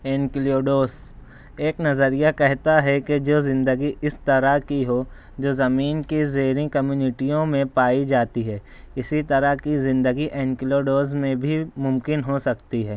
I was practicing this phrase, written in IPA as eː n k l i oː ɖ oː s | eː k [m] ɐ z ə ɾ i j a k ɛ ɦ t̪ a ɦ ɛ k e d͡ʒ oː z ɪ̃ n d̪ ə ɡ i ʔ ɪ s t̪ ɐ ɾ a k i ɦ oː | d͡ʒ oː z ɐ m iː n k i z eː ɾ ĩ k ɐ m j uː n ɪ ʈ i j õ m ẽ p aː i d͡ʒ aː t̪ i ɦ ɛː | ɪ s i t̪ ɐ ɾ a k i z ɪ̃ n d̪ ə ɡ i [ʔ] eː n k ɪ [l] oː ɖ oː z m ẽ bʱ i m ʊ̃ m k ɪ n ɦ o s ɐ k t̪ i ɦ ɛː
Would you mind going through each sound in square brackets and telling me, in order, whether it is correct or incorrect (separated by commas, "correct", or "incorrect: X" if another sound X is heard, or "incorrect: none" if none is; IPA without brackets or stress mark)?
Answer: incorrect: n, correct, correct